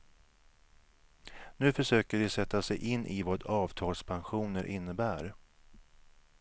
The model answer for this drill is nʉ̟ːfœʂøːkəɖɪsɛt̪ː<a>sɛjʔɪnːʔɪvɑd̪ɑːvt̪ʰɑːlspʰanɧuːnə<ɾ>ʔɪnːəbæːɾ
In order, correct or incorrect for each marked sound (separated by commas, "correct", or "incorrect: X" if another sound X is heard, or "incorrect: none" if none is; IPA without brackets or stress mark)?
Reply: correct, correct